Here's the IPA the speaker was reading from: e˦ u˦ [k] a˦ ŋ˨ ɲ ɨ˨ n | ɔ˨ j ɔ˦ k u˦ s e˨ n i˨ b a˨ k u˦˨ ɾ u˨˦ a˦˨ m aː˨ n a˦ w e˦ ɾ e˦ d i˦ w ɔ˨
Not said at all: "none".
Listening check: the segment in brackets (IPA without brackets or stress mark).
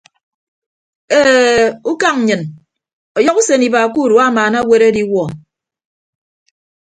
k